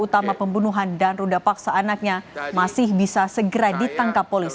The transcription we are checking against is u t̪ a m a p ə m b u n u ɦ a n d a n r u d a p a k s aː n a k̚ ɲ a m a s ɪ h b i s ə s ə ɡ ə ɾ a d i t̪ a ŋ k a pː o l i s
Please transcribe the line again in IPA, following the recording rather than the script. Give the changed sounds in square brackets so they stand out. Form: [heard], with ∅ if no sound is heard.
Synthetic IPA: u t̪ a m a p ə m b u n u ɦ a n d a n r u d a p a k s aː n a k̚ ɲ a m a s ɪ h b i s [a] s ə ɡ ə ɾ a d i t̪ a ŋ k a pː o l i s

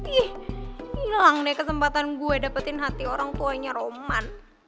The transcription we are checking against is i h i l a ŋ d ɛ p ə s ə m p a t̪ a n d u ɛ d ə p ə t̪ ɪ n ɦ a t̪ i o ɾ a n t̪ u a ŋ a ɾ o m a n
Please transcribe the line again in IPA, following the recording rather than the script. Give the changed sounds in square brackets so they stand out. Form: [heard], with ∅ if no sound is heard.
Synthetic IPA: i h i l a ŋ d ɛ [k] ə s ə m p a t̪ a n [ɡ] u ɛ d [a] p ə t̪ ɪ n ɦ a t̪ i o ɾ a [ŋ] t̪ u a [ɲ] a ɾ o m a n

